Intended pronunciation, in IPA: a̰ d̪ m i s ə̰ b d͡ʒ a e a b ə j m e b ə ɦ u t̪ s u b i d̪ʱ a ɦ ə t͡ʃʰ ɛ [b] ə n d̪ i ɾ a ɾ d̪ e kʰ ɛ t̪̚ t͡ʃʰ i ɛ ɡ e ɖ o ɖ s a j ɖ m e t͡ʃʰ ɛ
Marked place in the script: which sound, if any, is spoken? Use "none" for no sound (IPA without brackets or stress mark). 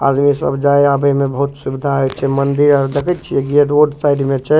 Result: m